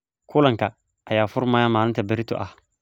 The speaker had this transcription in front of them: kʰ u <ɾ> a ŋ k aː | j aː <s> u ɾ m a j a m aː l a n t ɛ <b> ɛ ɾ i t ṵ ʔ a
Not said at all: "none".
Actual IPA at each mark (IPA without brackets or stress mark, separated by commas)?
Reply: l, f, b